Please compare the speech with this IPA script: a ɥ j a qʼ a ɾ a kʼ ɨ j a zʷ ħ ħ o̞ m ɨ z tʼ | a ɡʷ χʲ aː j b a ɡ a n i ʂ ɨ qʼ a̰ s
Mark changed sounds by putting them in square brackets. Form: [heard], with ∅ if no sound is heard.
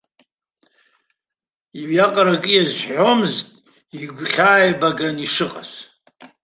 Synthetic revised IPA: [i] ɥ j a qʼ a ɾ a kʼ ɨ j a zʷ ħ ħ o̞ m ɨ z tʼ | [i] ɡʷ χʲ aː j b a ɡ a n i ʂ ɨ qʼ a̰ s